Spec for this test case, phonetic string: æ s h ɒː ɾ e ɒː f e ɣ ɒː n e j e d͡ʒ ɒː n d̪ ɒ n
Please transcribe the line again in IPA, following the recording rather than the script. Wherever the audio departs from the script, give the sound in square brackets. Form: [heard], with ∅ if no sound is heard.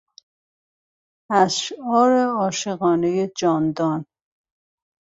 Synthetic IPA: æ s [ʃ] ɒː ɾ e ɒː [ʃ] e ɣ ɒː n e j e d͡ʒ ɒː n d̪ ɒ n